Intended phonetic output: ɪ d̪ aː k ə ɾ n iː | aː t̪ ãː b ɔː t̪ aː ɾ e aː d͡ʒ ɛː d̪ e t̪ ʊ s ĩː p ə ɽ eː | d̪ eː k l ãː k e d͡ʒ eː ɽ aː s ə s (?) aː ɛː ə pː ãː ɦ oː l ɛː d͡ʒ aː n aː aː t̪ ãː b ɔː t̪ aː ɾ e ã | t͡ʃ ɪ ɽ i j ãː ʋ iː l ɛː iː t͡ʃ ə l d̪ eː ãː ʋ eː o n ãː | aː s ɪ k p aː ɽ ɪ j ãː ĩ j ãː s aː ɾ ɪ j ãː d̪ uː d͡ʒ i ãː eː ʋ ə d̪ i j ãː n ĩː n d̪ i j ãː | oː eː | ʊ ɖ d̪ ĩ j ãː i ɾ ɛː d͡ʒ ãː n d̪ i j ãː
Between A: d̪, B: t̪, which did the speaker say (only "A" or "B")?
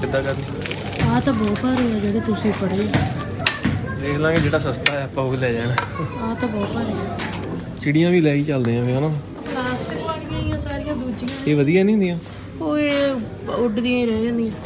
B